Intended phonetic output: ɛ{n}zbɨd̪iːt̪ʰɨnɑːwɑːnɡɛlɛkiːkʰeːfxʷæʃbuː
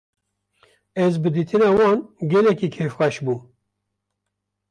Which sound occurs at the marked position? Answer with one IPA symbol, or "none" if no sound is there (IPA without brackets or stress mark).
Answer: none